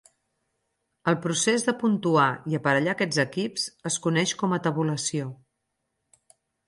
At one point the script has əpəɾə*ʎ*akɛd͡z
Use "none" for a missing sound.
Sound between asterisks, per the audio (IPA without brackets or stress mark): ʎ